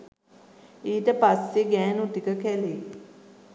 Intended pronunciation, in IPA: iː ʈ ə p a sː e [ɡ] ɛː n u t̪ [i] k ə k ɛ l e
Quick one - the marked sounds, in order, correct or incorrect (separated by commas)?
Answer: correct, correct